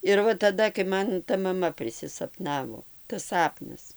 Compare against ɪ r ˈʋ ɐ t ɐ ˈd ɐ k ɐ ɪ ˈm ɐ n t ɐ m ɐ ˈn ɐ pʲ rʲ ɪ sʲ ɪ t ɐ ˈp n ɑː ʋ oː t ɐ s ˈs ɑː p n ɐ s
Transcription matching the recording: ɪ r ˈʋ ɐ t ɐ ˈd ɐ k ɐ ɪ ˈm ɐ n t ɐ m ɐ ˈm ɐ pʲ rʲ ɪ sʲ ɪ s ɐ ˈp n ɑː ʋ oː t ɐ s ˈs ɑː p n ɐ s